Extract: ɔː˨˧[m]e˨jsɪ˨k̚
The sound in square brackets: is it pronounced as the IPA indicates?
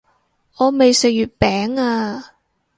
yes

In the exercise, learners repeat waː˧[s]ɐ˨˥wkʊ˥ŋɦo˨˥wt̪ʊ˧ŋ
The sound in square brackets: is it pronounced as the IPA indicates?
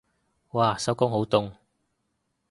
yes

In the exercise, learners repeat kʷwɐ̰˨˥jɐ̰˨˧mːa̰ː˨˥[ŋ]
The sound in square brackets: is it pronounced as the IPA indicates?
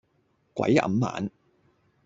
no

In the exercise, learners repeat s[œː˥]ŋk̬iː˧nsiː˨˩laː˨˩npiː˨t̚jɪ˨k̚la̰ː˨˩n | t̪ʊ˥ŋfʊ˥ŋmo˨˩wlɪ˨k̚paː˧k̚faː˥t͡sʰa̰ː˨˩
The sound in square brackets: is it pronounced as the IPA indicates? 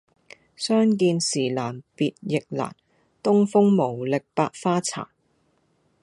yes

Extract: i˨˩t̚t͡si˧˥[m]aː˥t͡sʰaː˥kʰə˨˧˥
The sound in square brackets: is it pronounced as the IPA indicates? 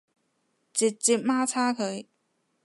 yes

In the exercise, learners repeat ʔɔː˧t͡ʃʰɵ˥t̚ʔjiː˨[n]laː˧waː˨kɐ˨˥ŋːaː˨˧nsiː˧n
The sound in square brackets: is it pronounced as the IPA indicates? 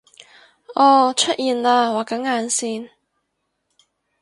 yes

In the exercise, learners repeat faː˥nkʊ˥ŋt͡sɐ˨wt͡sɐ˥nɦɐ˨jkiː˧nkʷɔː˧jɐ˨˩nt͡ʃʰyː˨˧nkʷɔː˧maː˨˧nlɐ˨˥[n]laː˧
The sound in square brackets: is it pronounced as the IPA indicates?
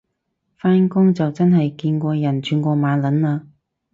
yes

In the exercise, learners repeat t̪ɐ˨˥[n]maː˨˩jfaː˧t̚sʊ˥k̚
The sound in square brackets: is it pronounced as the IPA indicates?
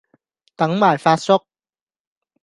no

